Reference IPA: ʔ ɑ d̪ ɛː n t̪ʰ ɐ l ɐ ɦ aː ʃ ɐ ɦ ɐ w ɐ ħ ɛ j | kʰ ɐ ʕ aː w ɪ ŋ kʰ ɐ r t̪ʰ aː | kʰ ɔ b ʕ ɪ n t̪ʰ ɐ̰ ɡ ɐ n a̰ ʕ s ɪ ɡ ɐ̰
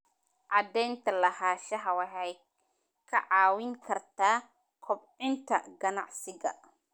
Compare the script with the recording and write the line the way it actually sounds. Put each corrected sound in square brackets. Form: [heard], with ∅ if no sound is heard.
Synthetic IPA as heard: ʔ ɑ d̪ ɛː n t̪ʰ ɐ l ɐ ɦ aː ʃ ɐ ɦ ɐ w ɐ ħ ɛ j | kʰ ɐ ʕ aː w ɪ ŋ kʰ ɐ r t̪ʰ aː | kʰ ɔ b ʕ ɪ n t̪ʰ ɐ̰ ɡ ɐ n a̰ ʕ s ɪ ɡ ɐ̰